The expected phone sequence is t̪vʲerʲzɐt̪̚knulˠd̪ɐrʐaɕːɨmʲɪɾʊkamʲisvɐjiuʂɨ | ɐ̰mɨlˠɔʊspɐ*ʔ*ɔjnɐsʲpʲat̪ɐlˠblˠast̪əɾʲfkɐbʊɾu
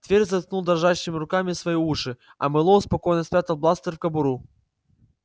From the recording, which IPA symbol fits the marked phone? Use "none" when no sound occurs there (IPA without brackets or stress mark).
k